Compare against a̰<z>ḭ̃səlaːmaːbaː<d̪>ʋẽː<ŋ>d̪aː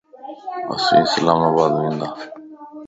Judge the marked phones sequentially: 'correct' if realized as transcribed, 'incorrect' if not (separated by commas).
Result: incorrect, correct, incorrect